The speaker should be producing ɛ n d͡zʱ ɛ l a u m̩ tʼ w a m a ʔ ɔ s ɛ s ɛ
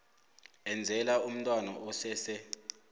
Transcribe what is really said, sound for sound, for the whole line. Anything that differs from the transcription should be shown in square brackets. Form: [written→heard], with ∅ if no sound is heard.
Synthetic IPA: ɛ n d͡zʱ ɛ l a u m̩ tʼ w a [m→n] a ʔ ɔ s ɛ s ɛ